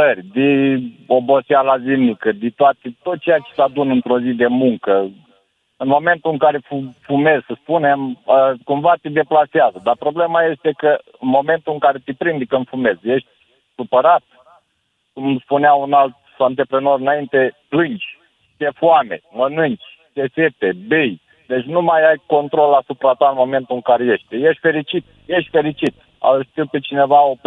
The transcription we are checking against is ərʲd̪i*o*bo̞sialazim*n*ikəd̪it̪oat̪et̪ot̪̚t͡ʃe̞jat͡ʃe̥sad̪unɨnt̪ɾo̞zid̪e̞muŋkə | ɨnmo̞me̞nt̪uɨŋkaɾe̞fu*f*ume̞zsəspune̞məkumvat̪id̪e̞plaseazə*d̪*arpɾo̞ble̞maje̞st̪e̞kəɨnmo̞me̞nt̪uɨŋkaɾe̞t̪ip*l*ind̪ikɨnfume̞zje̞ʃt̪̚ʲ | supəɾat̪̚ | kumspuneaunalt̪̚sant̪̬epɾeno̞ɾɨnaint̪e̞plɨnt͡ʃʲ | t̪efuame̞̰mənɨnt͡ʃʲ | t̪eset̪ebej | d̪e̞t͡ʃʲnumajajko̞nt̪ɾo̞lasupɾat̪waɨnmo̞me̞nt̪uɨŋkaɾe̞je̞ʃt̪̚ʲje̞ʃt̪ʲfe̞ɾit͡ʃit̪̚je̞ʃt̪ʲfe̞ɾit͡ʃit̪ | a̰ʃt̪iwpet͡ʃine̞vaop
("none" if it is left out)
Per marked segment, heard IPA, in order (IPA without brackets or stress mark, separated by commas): o, n, f, d̪, ɾ